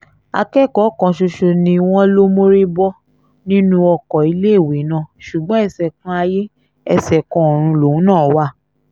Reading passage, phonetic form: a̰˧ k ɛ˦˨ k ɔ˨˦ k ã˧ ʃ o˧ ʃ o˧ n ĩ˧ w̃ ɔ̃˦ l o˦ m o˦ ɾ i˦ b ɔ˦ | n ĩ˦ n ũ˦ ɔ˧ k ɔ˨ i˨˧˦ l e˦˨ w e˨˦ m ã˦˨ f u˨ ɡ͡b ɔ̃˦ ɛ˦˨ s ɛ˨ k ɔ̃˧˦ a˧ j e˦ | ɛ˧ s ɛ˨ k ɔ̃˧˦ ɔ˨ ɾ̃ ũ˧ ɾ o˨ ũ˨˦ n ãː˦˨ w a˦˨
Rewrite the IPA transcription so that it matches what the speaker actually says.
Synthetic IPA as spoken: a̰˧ k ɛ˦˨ k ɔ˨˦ k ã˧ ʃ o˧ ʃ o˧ n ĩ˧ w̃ ɔ̃˦ l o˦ m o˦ ɾ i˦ b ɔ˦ | n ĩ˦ n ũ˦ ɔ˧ k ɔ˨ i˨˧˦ l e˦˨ w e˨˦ n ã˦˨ ʃ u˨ ɡ͡b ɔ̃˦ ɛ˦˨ s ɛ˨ k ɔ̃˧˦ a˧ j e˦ | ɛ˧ s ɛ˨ k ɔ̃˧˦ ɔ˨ ɾ̃ ũ˧ l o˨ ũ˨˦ n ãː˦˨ w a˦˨